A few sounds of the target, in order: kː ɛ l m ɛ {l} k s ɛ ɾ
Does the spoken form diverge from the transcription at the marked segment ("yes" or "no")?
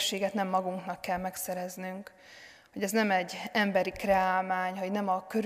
yes